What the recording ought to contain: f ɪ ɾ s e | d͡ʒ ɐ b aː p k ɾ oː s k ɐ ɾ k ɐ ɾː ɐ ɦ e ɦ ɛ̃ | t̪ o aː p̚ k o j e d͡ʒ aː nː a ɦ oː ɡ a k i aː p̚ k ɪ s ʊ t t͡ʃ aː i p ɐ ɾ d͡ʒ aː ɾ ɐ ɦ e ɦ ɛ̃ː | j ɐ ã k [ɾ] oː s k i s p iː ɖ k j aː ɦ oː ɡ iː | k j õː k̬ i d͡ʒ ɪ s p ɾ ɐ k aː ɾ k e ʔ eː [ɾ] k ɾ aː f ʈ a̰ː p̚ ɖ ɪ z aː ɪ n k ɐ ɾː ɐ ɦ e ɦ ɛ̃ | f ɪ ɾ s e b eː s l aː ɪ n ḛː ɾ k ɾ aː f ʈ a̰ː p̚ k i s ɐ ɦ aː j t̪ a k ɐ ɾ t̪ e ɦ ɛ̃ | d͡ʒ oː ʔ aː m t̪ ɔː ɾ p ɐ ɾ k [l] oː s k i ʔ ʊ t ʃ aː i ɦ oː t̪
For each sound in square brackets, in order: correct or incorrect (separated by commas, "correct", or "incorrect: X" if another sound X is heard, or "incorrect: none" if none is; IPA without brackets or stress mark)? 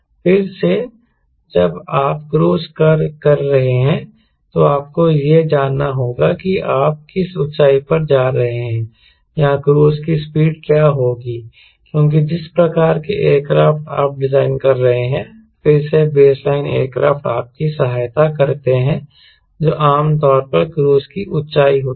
correct, correct, incorrect: ɾ